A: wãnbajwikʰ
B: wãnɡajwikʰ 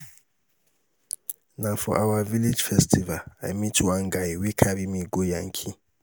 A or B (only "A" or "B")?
B